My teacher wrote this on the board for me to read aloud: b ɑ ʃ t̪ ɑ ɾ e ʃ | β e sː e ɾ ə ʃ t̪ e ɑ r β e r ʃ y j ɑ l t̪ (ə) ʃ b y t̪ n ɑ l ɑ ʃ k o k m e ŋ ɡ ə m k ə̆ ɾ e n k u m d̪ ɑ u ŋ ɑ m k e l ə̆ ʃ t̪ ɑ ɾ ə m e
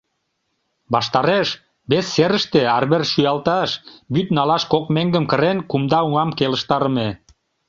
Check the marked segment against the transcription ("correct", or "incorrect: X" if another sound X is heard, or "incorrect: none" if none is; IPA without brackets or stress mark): incorrect: ɑ